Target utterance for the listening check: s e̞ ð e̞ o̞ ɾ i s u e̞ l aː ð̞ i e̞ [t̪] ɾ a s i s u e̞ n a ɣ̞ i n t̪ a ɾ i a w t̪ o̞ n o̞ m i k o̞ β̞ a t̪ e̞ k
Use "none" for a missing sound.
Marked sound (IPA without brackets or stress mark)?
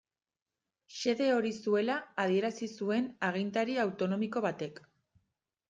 none